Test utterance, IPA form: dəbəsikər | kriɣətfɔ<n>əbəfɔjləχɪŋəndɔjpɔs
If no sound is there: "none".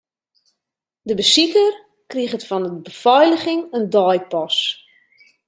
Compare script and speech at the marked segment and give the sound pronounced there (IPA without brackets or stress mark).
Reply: n